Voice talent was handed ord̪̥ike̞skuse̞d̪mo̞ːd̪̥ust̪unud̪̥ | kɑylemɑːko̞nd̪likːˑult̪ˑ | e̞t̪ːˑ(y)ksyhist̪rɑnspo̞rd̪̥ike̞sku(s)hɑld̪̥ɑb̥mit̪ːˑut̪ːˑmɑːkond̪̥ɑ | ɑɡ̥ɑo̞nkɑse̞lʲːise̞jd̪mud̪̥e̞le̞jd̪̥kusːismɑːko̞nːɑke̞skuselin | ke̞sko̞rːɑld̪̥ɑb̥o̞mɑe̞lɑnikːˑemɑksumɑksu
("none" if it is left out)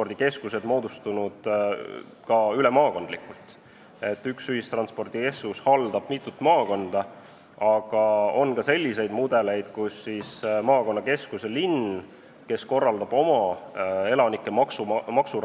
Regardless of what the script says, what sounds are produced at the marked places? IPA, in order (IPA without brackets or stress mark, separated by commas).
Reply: y, s